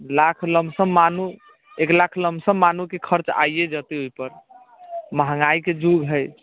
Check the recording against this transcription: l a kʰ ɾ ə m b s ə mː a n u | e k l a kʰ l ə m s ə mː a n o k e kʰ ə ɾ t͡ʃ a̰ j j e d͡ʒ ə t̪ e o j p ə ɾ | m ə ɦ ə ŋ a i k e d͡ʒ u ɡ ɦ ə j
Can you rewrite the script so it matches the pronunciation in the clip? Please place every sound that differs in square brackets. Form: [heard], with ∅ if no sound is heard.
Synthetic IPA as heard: l a kʰ [l] ə m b s ə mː a n u | e k l a kʰ l ə m s ə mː a n [u] k e kʰ ə ɾ t͡ʃ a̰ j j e d͡ʒ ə t̪ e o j p ə ɾ | m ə ɦ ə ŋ a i k e d͡ʒ u ɡ ɦ ə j